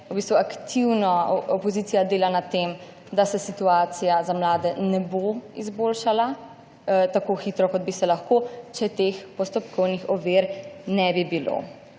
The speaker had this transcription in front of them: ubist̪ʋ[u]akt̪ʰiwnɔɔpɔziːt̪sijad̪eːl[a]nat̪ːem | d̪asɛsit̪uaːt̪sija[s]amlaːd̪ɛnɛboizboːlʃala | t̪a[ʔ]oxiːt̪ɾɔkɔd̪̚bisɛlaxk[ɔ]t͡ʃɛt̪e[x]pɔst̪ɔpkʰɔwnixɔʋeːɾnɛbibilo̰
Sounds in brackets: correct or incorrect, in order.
correct, correct, incorrect: z, incorrect: k, incorrect: o, correct

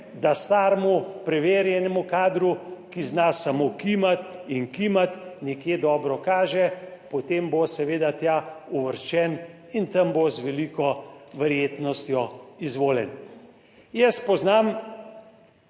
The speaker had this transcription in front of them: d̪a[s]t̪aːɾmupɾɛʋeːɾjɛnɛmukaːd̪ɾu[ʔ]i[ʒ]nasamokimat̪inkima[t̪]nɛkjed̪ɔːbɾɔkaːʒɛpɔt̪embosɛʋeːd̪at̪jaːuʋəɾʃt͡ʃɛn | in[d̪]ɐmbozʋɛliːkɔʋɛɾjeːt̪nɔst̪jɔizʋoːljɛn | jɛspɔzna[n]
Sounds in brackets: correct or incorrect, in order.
correct, incorrect: k, incorrect: z, correct, incorrect: t̪, incorrect: m

